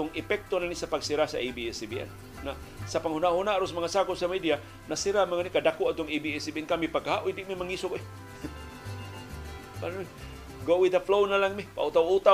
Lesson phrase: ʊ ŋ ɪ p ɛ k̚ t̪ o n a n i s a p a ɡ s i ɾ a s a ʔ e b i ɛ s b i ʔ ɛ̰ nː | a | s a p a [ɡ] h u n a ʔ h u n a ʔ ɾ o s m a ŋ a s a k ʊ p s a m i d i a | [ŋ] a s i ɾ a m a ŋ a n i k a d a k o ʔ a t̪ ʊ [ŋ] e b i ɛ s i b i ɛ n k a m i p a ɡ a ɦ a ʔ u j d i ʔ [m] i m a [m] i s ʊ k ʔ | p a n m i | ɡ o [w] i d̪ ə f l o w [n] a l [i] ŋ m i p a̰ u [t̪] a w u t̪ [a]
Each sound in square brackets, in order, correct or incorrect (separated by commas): incorrect, incorrect, correct, correct, incorrect, correct, correct, incorrect, correct, correct